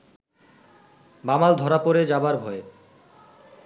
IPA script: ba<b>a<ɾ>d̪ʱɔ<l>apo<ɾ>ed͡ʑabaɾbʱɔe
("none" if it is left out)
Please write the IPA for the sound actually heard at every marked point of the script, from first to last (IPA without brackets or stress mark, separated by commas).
m, l, ɾ, ɾ